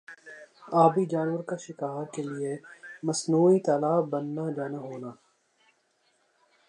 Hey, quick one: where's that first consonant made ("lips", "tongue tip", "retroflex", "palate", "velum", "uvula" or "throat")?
lips